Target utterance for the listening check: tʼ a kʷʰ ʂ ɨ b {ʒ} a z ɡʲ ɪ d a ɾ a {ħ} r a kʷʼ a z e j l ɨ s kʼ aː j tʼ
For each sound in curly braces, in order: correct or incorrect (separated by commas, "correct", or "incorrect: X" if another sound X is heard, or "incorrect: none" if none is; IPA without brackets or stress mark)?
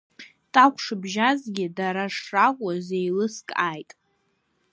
correct, incorrect: ʂ